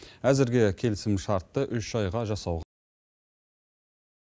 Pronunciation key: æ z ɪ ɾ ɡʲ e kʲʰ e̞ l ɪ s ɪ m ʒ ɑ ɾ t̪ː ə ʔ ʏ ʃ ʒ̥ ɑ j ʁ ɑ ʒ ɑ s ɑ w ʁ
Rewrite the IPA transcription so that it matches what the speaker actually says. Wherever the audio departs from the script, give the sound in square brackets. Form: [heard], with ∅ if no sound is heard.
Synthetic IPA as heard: æ z ɪ ɾ ɡʲ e kʲʰ e̞ l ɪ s ɪ m [ʃ] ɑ ɾ t̪ː ə ʔ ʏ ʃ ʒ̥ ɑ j ʁ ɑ ʒ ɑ s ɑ w ʁ